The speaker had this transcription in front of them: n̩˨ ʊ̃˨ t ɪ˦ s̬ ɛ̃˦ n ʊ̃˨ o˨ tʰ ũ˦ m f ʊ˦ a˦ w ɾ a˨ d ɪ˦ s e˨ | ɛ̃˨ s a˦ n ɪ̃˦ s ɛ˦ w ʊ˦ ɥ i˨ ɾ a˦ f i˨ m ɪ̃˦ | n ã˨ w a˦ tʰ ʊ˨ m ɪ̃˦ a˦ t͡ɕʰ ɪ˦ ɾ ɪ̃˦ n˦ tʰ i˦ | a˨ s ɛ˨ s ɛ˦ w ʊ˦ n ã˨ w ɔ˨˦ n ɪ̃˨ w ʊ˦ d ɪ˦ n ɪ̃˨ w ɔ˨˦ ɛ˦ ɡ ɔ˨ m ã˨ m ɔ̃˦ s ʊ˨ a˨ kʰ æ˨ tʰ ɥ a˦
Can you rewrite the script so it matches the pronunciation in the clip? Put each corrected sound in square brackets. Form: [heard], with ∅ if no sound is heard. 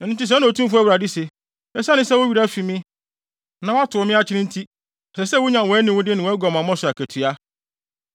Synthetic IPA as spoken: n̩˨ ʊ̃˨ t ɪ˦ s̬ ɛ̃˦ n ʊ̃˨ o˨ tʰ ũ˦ m f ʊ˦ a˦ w ɾ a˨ d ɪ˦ s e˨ | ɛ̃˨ s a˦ n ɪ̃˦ s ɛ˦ w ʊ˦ ɥ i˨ ɾ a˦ f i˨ m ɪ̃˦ | n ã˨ w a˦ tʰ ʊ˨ m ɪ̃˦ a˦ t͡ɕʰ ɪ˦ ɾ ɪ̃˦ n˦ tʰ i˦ | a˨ s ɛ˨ s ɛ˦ w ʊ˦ [ɲ] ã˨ w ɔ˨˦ n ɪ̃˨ w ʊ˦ d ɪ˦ n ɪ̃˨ w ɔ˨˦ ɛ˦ ɡ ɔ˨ m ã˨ m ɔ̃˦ s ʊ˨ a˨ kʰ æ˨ tʰ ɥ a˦